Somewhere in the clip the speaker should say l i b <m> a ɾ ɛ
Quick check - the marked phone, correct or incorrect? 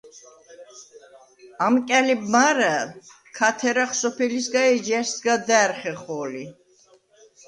correct